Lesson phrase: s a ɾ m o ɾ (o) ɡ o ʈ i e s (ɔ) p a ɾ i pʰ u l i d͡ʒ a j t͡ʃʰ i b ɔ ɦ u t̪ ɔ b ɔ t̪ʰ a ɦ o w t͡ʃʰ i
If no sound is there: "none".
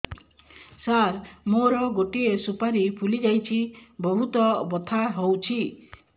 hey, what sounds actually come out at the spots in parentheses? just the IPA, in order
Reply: ɔ, u

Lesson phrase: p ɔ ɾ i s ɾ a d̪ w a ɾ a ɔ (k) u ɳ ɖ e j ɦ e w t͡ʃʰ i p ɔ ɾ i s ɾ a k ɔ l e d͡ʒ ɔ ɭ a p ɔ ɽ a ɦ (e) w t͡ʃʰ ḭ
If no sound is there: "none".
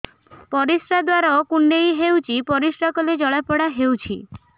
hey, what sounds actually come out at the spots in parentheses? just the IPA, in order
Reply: k, e

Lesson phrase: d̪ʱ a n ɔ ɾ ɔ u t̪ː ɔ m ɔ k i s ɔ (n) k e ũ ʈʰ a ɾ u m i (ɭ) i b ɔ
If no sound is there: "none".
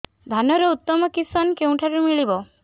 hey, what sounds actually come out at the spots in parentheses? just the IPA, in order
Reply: n, ɭ

